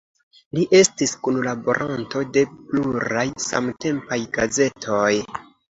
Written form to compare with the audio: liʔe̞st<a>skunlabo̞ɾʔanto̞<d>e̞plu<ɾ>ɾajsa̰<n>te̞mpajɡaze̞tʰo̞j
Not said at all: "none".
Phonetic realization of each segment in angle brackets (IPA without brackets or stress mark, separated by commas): i, d, ɾ, m